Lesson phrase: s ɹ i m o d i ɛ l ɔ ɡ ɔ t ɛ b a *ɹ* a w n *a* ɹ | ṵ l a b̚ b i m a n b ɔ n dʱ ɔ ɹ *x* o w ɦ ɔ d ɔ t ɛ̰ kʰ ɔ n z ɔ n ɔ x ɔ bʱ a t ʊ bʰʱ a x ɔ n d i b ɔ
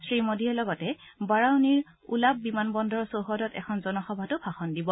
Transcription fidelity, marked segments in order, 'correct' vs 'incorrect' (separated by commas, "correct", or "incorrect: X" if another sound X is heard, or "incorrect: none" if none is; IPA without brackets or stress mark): correct, incorrect: i, incorrect: s